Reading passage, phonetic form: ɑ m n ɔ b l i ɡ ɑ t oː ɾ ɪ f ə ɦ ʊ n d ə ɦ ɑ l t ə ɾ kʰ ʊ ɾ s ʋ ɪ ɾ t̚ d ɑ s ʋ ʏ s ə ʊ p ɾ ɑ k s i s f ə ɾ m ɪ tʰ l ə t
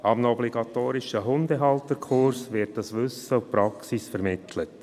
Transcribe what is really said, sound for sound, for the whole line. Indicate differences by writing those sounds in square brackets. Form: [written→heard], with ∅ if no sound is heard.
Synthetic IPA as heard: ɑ m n ɔ b l i ɡ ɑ t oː ɾ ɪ [f→ʃ] ə ɦ ʊ n d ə ɦ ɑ l t ə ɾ kʰ ʊ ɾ s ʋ ɪ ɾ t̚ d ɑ s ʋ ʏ s ə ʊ p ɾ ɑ k s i s f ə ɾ m ɪ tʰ l ə t

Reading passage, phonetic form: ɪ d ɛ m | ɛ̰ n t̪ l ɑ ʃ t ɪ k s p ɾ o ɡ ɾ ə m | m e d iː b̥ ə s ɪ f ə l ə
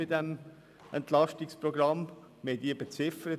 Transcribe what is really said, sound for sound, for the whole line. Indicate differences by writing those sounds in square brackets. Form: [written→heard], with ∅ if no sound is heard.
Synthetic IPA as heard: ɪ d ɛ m | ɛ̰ n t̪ l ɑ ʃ t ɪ k s p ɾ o ɡ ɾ [ə→ɑ] m | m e d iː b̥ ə [s→t͡s] ɪ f ə [l→ɾ] ə

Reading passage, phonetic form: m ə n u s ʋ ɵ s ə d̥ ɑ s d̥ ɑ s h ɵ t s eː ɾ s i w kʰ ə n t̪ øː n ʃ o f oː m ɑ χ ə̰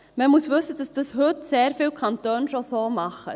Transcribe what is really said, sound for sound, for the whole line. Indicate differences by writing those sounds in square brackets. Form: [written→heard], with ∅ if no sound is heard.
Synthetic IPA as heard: m ə [n→m] u s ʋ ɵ s ə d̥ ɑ s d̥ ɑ s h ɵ t s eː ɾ [s→f] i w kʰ [ə→ɑ] n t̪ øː n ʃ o [f→s] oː m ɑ χ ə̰

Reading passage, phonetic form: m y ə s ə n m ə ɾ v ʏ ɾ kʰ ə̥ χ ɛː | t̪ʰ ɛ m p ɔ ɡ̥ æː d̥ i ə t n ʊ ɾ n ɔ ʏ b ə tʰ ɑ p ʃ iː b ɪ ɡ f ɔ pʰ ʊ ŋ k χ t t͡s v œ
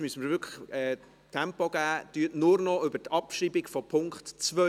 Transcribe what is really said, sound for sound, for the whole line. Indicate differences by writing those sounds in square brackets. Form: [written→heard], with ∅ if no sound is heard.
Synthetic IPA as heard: m y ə s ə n m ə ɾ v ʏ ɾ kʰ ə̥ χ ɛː | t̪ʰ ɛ m p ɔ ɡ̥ æː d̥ [i→y] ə t n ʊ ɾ n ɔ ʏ b ə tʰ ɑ p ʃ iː b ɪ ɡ f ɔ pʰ ʊ ŋ k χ t t͡s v œ

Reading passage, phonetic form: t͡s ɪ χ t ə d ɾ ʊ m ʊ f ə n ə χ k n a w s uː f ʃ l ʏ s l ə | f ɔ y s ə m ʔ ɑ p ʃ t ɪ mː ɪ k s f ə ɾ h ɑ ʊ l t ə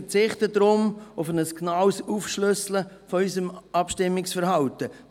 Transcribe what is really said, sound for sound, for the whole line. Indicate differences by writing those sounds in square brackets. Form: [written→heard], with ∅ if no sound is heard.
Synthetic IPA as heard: t͡s ɪ χ t ə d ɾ ʊ m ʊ f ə n ə [χ→s] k n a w s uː f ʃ l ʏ s l ə | f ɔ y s ə m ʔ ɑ p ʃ t ɪ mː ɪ k s f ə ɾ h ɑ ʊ [l→∅] t ə

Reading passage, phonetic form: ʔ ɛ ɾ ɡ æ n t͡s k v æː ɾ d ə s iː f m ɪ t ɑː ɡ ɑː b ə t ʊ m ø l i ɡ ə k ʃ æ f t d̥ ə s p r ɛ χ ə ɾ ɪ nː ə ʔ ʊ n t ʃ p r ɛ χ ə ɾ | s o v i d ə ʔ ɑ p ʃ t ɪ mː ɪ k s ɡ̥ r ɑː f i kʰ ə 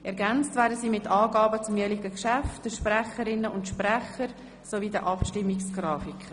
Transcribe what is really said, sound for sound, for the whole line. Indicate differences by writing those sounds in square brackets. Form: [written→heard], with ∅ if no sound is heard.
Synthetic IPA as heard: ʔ ɛ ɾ ɡ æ n t͡s [k→t] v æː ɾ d ə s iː [f→∅] m ɪ t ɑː ɡ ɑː b ə [t→t͡s] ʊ m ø l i ɡ ə k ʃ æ f t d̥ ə [s→ʃ] p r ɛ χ ə ɾ ɪ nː ə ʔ ʊ n t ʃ p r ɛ χ ə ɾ | s o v i d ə ʔ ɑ p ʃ t ɪ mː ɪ k s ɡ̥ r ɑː f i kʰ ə

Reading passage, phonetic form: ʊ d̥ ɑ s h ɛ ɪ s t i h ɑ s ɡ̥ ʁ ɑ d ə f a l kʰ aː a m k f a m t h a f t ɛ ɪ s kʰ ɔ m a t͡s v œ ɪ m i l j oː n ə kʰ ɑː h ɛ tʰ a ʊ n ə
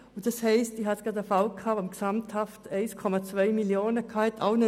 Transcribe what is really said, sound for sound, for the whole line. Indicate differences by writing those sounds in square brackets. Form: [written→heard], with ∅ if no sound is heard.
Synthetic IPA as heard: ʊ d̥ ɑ s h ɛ ɪ s t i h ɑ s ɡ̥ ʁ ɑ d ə f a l kʰ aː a m k [f→s] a m t h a f t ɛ ɪ s kʰ ɔ m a t͡s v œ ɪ m i l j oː n ə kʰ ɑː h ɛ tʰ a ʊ n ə

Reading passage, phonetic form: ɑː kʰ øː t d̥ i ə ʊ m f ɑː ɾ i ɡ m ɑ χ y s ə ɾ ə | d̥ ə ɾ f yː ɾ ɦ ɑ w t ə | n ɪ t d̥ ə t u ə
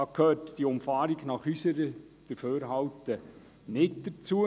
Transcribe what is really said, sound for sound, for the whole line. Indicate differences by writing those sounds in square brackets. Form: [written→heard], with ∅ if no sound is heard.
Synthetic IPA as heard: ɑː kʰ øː t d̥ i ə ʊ m f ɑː ɾ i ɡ [m→n] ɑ χ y s ə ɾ ə | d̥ ə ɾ f [yː→øː] ɾ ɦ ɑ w t ə | n ɪ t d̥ ə [t→t͡s] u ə

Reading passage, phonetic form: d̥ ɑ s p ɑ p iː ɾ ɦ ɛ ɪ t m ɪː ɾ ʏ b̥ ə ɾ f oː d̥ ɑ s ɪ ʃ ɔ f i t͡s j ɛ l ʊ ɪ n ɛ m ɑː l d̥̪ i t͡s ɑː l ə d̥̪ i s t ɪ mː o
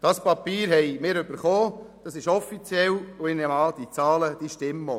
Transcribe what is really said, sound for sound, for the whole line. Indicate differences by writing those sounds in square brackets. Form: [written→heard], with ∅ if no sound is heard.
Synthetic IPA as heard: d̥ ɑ s p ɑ p iː ɾ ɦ ɛ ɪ [t→∅] m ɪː ɾ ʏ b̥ ə ɾ [f→χ] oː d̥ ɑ s ɪ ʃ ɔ f i t͡s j ɛ l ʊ ɪ n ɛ m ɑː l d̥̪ i t͡s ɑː l ə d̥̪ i [s→ʃ] t ɪ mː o

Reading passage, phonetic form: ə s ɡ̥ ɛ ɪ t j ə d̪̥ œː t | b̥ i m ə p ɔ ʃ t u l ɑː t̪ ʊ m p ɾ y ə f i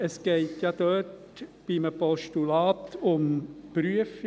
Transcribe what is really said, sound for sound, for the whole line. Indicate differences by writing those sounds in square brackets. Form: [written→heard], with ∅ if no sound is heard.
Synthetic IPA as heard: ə s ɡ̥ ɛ ɪ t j [ə→ɑ] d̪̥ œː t | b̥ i m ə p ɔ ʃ t u l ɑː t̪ ʊ m p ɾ y ə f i

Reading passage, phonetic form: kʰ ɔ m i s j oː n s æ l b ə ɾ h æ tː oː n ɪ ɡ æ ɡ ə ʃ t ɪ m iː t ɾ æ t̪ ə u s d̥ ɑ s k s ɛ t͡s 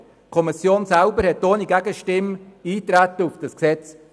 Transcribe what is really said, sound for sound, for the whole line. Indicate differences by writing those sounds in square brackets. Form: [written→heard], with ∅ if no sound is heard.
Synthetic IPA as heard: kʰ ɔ m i s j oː n s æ l b ə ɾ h [æ→ɛ] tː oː n [ɪ→i] ɡ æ ɡ ə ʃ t ɪ m iː t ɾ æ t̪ ə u [s→f] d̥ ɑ s k s ɛ t͡s

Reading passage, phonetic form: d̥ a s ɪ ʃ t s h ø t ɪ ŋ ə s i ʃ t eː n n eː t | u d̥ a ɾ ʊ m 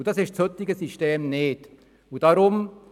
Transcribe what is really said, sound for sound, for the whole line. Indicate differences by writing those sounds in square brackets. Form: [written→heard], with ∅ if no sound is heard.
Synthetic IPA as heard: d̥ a s ɪ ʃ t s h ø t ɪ [ŋ→ɡ] ə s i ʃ t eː [n→m] n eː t | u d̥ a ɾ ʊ m

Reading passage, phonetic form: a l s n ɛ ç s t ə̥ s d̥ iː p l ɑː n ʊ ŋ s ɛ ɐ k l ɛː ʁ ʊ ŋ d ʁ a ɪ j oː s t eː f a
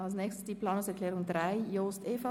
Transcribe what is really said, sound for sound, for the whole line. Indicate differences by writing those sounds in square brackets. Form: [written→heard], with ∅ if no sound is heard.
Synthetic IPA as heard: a l s n ɛ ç s t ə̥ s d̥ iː p l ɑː n ʊ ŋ s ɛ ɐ k l ɛː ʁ ʊ ŋ d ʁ a ɪ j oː s t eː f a

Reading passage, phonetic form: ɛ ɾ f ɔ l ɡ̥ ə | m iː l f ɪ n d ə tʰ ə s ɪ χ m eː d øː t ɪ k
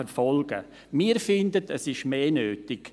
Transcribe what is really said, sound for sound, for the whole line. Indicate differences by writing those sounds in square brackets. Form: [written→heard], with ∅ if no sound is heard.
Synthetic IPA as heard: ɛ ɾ f ɔ l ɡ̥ ə | m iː [l→ɾ] f ɪ n d ə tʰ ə s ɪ [χ→ʃ] m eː [d→n] øː t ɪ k

